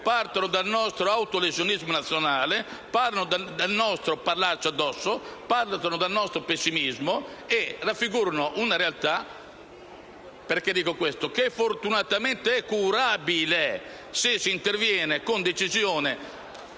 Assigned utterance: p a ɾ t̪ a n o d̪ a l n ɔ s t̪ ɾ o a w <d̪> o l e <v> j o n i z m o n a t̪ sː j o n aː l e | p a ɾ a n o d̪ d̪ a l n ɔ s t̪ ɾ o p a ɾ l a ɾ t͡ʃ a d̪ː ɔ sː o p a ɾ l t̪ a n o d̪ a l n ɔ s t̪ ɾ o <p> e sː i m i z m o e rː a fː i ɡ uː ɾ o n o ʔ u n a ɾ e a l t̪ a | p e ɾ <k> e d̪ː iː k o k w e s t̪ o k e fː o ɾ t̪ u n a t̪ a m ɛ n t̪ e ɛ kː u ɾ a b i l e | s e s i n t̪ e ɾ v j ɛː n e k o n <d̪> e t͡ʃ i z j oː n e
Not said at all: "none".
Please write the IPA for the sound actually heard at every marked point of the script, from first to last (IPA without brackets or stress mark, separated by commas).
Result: t̪, z, p, k, d̪